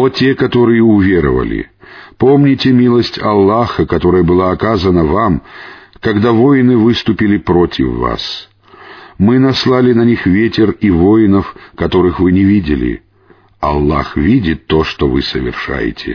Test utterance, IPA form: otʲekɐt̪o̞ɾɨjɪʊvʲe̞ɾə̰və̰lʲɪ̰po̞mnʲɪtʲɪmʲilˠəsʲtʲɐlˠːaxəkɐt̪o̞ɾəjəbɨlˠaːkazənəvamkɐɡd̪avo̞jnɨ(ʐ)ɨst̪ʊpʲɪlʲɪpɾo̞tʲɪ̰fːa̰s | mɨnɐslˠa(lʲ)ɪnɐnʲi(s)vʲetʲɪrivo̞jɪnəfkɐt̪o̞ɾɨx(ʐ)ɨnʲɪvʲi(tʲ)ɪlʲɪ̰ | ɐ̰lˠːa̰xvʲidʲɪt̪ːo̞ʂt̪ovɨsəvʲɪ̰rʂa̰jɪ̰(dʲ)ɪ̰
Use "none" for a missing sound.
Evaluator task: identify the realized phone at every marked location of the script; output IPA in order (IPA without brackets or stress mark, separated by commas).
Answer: v, lʲ, x, v, dʲ, tʲ